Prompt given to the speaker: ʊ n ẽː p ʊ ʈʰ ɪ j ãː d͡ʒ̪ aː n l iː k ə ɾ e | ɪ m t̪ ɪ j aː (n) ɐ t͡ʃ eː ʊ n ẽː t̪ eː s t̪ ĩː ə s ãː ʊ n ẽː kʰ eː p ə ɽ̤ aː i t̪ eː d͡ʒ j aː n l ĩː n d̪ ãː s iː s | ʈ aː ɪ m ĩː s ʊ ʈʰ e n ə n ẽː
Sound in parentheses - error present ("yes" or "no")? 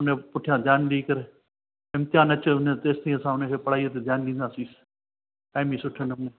no